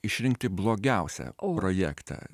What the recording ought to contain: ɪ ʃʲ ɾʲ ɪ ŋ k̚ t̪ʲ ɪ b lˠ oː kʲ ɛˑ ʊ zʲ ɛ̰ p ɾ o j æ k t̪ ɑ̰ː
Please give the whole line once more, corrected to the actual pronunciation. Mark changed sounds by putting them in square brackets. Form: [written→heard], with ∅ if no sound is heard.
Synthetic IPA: ɪ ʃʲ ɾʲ ɪ ŋ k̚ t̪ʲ ɪ b lˠ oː [kʲ→ɡʲ] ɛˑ ʊ [zʲ→sʲ] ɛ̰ p ɾ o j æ k t̪ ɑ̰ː